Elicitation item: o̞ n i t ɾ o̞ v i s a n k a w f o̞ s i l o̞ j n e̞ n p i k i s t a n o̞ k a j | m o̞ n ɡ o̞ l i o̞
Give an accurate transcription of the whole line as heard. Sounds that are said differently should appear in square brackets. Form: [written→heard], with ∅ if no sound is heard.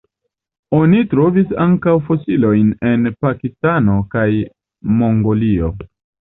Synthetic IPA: o̞ n i t ɾ o̞ v i s a [n→ŋ] k a w f o̞ s i l o̞ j n e̞ n p [i→a] k i s t a n o̞ k a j | m o̞ [n→ŋ] ɡ o̞ l i o̞